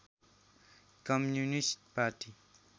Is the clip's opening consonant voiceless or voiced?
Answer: voiceless